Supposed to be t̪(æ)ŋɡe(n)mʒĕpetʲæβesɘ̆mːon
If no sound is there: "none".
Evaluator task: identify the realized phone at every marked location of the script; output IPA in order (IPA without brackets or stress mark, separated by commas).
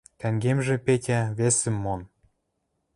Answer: æ, none